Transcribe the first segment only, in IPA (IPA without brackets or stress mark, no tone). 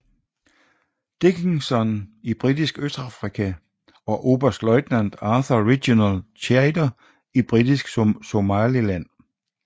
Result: d̥